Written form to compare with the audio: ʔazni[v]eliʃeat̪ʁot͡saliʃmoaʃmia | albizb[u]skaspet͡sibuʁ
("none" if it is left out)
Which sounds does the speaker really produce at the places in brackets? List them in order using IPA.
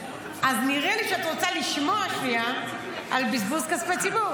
ʁ, u

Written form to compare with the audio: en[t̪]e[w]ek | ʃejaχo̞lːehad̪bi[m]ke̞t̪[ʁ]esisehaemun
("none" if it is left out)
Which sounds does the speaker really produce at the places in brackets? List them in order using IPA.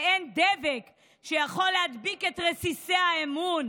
d̪, v, none, ʁ

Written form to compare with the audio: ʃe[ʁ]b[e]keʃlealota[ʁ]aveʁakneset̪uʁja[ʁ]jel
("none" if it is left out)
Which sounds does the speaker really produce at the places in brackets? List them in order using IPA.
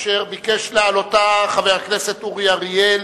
ʁ, i, χ, ʁ

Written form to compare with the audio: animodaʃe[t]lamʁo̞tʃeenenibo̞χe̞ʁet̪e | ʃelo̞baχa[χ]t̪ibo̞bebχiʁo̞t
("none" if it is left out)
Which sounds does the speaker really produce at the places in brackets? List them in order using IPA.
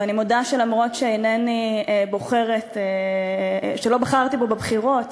none, ʁ

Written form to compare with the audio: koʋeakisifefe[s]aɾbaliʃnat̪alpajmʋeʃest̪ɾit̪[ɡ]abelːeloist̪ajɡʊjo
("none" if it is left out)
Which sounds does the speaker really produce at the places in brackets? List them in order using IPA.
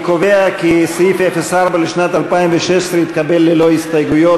s, k

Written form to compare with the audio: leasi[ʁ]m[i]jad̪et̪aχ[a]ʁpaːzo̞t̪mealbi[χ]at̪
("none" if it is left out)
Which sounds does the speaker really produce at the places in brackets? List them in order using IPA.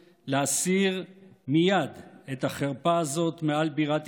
ʁ, i, e, ʁ

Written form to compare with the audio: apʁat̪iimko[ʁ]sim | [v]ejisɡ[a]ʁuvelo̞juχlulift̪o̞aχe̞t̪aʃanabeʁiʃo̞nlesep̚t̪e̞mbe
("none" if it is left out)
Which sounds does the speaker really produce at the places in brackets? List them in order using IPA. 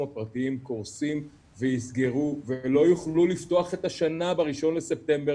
ʁ, v, e

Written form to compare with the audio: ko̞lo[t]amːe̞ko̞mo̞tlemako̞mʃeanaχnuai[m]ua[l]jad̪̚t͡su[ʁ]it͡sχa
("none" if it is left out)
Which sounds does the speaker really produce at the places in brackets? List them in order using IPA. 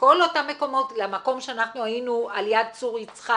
t, n, l, ʁ

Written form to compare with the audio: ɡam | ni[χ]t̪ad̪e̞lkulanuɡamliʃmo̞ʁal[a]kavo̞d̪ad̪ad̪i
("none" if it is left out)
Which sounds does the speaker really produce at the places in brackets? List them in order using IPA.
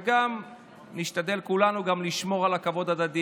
ʃ, a

